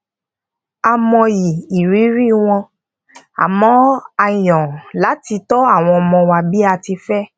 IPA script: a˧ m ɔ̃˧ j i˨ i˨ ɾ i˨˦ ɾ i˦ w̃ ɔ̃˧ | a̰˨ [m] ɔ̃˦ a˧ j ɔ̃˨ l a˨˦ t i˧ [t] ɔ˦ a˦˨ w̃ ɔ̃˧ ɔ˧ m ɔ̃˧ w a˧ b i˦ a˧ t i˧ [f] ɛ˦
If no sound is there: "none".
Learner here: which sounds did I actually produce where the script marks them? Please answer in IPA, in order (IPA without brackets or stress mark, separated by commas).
m, t, f